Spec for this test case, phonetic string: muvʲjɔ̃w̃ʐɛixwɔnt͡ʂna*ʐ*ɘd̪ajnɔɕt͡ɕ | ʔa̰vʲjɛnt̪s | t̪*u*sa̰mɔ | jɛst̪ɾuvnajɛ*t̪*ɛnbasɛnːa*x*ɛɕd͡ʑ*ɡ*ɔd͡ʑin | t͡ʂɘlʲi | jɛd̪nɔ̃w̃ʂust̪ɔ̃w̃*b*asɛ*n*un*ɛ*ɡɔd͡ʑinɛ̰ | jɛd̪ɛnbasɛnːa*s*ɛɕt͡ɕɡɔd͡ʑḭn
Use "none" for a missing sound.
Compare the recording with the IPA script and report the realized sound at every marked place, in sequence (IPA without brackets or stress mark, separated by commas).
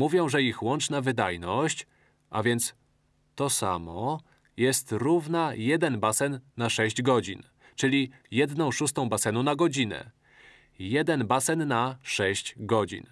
v, ɔ, d̪, ʂ, ɡ, b, n, a, ʂ